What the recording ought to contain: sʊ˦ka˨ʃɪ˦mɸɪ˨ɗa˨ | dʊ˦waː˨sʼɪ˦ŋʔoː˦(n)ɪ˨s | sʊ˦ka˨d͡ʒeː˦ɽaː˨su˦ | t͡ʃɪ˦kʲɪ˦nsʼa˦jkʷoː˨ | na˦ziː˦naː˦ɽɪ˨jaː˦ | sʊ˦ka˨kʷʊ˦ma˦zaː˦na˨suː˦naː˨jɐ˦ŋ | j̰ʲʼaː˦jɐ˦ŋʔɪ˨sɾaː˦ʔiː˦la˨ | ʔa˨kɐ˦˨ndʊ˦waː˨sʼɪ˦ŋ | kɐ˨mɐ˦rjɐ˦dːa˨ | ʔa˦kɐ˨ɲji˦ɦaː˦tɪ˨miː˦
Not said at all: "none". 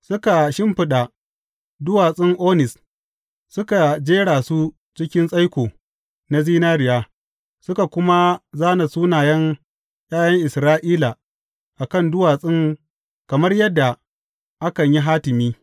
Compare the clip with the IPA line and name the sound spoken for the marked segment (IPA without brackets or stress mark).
n